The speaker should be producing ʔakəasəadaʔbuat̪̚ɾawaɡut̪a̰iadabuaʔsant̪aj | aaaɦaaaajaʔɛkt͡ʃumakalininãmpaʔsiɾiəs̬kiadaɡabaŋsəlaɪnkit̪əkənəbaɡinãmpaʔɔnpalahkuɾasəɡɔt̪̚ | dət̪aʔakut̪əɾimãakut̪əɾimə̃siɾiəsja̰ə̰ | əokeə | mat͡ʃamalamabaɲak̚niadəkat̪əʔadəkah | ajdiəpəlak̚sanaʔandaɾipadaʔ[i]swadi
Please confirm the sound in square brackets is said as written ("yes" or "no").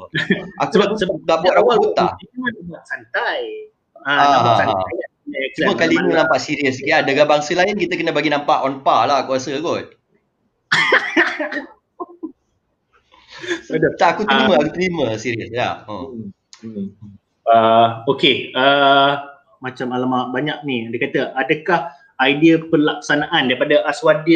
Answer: no